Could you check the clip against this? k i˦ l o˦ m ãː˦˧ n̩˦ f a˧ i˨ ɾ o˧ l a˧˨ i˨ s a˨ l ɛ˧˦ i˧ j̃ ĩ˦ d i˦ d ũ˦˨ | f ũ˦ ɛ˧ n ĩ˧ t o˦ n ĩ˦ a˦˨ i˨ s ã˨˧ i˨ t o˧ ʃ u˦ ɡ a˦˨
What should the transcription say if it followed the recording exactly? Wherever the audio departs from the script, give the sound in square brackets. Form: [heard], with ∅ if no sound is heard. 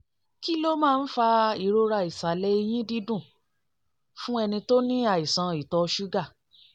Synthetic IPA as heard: k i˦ l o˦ m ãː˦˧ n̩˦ f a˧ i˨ ɾ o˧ [ɾ] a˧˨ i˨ s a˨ l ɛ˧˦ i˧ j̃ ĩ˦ d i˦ d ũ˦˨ | f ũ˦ ɛ˧ n ĩ˧ t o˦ n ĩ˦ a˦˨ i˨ s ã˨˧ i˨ t [ɔ˧] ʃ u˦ ɡ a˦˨